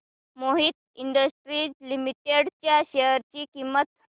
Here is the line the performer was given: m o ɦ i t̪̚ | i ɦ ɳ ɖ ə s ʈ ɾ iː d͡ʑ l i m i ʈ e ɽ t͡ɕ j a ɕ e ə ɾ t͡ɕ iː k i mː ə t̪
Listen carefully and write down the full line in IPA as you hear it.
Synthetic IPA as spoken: m o ɦ i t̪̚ | i ɳ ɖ ə s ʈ ɾ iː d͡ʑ l i m i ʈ e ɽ t͡ɕ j a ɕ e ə ɾ t͡ɕ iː k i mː ə t̪